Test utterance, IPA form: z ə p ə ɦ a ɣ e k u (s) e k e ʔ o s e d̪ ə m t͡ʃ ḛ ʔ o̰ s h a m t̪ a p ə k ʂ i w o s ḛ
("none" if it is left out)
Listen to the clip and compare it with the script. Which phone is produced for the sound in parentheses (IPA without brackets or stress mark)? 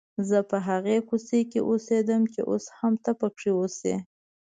s